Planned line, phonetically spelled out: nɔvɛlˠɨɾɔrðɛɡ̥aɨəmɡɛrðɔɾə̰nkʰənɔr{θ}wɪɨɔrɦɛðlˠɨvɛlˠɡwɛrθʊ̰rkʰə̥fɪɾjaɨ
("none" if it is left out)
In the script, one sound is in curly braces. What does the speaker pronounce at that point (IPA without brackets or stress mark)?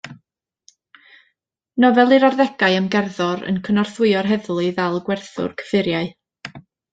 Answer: θ